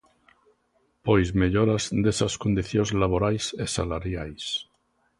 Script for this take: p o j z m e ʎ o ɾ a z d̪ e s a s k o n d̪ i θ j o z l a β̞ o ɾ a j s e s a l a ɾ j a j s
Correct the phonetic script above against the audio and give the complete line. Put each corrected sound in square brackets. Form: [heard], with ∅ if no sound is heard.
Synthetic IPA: p o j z m e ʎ o ɾ a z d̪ e s a s k o n d̪ i θ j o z l a β̞ o ɾ a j s e s a l a ɾ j a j s